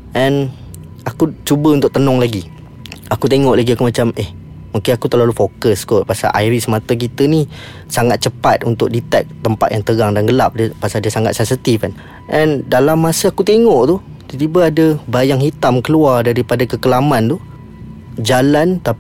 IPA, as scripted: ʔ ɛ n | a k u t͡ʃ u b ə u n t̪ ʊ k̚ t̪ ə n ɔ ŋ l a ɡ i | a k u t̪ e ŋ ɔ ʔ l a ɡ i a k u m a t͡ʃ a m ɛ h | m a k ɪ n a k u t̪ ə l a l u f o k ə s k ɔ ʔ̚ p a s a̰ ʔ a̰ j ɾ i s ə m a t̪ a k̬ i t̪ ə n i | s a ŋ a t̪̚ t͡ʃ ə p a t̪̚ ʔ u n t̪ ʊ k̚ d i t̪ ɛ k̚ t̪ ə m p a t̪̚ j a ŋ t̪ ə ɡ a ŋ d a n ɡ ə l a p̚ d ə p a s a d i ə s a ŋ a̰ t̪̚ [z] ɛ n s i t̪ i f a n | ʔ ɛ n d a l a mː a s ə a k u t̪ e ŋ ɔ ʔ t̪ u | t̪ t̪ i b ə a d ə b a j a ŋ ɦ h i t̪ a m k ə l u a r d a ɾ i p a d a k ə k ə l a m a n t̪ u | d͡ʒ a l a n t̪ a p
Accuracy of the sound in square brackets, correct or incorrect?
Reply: incorrect